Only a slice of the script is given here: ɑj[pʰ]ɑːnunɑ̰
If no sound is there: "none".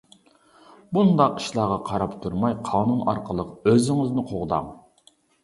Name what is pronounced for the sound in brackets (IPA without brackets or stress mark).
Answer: qʰ